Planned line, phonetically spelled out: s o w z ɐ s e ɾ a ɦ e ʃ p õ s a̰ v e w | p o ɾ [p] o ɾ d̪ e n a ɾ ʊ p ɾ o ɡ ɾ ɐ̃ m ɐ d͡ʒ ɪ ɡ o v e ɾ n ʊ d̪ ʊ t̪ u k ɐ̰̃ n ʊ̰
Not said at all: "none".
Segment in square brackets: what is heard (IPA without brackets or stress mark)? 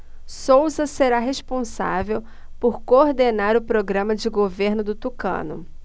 k